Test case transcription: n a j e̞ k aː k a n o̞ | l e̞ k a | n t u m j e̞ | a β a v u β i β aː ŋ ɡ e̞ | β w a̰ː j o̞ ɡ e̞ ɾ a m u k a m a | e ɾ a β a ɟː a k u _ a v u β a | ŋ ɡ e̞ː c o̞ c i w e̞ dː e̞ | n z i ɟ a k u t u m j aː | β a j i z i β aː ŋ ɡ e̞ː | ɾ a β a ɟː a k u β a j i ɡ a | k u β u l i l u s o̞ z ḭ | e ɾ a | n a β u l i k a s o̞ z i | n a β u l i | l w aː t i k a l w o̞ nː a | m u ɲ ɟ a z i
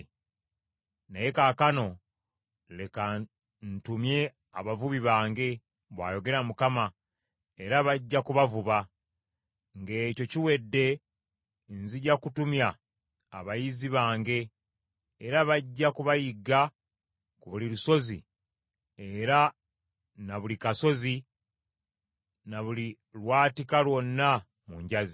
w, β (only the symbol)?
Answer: β